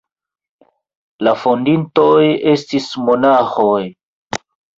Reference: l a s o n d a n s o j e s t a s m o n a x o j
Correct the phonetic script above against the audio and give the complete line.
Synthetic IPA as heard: l a f o n d i n t o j e s t i s m o n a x o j